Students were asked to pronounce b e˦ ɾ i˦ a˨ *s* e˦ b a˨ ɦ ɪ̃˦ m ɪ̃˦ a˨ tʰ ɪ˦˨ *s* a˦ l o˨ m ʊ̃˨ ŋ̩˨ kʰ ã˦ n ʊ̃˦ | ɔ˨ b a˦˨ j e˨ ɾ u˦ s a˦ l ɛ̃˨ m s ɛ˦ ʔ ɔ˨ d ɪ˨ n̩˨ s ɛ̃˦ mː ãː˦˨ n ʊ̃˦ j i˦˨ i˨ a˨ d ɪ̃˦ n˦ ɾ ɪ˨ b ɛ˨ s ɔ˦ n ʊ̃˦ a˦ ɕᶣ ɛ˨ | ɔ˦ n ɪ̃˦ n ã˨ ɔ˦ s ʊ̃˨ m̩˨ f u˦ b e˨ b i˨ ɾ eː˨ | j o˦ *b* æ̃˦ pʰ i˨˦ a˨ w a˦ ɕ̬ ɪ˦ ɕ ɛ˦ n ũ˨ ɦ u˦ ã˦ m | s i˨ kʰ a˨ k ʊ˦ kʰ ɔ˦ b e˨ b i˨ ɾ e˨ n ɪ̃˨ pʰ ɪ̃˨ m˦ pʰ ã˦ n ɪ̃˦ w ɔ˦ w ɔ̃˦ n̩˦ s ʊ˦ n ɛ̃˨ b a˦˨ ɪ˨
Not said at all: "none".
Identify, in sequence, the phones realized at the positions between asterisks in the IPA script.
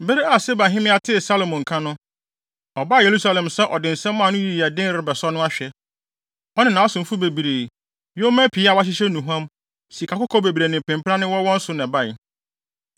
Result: s, s, m

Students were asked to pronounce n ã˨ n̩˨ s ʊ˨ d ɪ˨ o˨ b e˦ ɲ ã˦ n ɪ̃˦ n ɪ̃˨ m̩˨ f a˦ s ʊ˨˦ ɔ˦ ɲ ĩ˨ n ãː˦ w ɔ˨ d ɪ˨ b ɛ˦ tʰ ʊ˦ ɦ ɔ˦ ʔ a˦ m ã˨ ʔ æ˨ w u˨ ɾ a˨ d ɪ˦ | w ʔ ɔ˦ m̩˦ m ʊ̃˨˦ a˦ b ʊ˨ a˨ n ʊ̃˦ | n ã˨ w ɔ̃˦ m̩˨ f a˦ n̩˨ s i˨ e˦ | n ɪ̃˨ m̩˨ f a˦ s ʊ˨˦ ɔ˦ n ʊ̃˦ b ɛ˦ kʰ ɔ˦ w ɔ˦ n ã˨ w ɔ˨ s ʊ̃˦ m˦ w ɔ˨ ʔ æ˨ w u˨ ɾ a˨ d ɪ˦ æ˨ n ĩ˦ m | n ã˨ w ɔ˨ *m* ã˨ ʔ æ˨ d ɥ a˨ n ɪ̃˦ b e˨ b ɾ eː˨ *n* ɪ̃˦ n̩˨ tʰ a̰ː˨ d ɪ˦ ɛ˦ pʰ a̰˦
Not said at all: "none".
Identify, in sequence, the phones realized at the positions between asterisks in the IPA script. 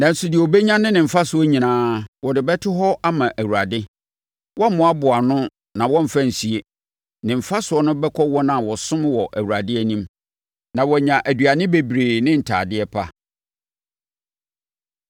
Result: ɲ, n

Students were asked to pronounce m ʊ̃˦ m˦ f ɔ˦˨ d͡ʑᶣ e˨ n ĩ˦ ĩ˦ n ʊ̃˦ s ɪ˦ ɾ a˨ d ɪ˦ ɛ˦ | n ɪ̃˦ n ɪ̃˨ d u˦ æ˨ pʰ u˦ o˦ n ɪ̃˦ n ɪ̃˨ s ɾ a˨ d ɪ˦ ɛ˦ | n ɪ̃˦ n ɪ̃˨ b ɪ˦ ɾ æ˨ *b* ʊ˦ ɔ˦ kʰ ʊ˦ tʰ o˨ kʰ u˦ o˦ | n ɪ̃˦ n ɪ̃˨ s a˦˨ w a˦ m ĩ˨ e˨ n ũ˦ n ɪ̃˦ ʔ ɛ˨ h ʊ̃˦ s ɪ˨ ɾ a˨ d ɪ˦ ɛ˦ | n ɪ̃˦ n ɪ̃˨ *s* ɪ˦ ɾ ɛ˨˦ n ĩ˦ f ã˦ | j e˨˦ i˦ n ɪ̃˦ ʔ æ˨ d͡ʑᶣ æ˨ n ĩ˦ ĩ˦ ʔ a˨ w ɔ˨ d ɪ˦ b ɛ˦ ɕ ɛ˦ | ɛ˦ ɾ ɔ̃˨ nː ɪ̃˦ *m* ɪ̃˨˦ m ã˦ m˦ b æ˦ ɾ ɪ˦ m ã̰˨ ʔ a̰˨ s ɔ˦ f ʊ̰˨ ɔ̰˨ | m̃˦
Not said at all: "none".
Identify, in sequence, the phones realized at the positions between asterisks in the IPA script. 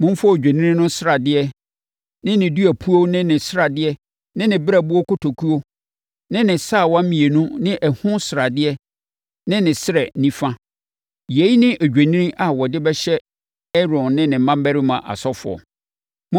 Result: b, s, n

